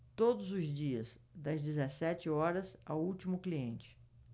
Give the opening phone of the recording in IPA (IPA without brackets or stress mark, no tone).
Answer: t̪